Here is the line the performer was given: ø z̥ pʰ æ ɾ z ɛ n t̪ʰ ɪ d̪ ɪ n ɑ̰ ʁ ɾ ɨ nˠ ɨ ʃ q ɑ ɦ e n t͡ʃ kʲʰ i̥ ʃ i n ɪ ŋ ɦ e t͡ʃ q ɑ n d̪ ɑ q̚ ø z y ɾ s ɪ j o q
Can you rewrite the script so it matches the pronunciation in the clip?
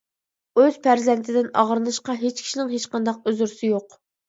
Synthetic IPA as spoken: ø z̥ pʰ æ ɾ z ɛ n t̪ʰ ɪ d̪ ɪ n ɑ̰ ʁ ɾ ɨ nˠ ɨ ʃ q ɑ ɦ e t͡ʃ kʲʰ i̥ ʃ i n ɪ ŋ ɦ e t͡ʃ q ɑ n d̪ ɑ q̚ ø z y ɾ s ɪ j o q